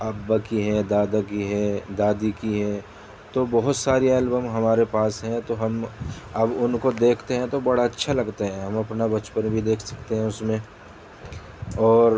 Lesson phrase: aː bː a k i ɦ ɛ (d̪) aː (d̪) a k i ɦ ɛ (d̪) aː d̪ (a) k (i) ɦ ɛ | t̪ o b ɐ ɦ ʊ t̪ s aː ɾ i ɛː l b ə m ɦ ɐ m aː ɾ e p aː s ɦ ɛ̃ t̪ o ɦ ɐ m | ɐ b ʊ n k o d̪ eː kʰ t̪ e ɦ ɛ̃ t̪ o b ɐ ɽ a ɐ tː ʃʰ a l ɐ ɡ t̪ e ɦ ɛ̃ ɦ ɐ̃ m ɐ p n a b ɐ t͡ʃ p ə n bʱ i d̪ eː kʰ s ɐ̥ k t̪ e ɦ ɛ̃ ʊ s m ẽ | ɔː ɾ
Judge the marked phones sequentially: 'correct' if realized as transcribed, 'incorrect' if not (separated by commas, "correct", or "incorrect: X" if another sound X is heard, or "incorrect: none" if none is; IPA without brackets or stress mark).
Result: correct, correct, correct, incorrect: i, correct